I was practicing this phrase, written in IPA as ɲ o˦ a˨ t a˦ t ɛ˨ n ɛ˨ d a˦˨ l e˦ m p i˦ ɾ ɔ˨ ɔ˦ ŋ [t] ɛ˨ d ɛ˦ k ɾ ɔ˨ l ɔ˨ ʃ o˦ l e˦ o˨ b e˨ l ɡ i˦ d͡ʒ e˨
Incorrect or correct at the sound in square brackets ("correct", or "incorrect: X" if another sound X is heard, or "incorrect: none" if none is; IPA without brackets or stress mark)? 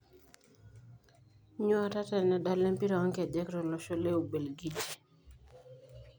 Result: incorrect: k